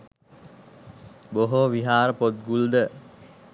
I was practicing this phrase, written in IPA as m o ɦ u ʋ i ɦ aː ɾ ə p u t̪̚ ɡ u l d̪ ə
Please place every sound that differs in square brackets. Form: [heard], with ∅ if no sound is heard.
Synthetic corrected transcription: [b] o ɦ [o] ʋ i ɦ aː ɾ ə p [o] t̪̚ ɡ u l d̪ ə